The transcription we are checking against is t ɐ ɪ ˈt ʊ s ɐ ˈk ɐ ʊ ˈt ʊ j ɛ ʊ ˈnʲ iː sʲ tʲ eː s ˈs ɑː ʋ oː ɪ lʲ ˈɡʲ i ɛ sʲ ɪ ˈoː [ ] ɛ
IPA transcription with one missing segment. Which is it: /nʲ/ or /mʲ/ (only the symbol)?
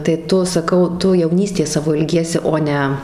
nʲ